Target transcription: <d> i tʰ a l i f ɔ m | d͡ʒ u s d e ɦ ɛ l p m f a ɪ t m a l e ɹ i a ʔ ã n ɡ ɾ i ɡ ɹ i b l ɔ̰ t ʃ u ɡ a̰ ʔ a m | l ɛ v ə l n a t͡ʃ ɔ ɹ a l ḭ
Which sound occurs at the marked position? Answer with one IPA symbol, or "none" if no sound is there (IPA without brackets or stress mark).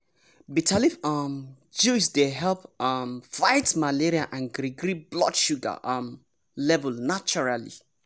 b